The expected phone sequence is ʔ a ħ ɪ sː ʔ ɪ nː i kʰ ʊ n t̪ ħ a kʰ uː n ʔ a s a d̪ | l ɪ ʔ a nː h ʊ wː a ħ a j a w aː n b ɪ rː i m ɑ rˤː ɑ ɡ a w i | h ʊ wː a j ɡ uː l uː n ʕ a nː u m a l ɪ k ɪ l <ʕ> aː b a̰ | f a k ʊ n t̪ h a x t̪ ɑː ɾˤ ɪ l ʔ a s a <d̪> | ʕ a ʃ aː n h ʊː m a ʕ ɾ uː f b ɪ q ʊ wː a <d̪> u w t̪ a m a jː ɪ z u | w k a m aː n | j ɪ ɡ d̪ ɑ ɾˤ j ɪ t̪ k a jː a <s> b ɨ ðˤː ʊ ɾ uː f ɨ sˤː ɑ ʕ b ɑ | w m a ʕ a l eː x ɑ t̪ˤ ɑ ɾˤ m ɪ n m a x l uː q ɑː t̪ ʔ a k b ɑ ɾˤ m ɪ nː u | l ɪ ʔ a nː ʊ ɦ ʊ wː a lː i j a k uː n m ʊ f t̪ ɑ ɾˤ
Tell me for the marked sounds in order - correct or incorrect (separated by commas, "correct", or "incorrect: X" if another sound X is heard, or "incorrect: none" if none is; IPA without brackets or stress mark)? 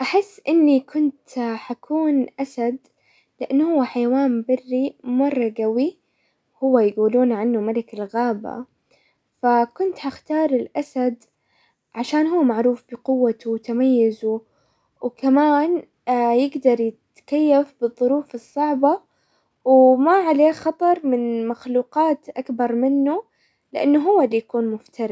incorrect: ɣ, correct, incorrect: t̪, incorrect: f